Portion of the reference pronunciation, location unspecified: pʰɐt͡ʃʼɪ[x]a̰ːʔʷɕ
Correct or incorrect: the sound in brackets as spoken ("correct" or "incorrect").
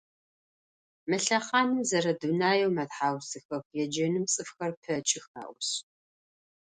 correct